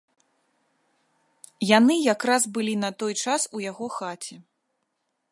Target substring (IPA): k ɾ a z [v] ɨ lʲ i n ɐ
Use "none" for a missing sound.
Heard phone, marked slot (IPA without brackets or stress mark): b